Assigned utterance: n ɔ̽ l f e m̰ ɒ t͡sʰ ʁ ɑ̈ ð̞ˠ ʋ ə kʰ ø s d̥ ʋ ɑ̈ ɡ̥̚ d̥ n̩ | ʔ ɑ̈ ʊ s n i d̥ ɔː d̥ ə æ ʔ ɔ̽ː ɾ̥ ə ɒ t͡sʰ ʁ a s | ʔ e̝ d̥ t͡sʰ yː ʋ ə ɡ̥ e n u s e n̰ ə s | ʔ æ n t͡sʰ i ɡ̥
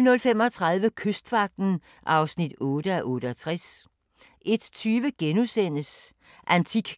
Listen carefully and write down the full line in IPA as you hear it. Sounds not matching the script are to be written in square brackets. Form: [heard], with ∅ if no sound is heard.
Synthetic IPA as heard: n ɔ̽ l f e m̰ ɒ t͡sʰ ʁ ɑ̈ ð̞ˠ ʋ ə kʰ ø s d̥ ʋ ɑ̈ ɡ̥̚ d̥ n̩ | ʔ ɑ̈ ʊ s n i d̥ ɔː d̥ ə æ ʔ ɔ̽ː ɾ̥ ə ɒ t͡sʰ ʁ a s | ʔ e̝ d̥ t͡sʰ yː ʋ ə ɡ̥ e n u s e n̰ ə s | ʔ æ n t͡sʰ i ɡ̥